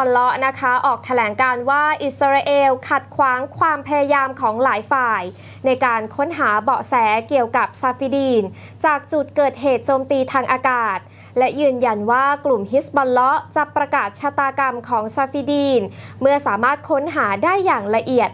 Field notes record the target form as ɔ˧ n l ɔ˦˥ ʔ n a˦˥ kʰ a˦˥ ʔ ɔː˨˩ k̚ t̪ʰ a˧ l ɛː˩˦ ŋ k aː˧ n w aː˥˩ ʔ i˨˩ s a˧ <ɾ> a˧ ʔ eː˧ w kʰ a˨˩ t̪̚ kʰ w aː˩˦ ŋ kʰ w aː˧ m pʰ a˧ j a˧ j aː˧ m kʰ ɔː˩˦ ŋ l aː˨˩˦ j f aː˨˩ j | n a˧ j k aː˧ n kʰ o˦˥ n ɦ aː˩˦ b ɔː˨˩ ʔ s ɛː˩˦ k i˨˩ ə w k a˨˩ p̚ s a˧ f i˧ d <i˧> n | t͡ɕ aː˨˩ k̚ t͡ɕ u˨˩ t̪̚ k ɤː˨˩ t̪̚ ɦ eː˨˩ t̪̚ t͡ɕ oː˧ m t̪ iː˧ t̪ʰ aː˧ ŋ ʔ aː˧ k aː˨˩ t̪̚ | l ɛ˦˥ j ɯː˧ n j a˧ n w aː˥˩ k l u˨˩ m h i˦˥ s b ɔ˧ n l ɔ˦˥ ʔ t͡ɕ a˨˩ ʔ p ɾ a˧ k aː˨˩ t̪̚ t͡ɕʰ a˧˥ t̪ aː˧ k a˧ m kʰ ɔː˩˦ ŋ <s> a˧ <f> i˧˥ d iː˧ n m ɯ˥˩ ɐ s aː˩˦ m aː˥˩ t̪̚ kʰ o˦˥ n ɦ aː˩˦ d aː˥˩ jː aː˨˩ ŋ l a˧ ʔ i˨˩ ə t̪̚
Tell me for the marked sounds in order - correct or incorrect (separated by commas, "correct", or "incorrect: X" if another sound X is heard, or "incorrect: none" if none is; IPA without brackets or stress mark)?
correct, incorrect: iː˧, correct, correct